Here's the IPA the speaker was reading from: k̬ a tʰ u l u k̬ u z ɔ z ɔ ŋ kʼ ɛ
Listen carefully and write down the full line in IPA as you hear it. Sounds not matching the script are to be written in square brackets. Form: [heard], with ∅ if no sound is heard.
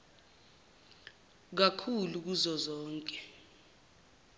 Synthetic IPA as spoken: k̬ a [kʰ] u l u k̬ u z ɔ z [ɔː] ŋ kʼ ɛ